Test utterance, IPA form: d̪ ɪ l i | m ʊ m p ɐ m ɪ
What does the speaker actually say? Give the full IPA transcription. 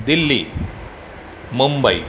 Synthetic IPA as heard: d̪ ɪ lː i | m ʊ m b ɐ ɪ